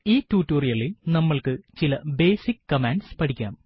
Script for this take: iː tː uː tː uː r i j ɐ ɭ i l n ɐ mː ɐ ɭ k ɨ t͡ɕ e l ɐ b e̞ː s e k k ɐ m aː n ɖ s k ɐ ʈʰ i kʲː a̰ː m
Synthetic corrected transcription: iː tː uː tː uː r i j ɐ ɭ i l n ɐ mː ɐ ɭ k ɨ t͡ɕ i l ɐ b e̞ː s i k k ɐ m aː n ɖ s p ɐ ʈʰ i kʲː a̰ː m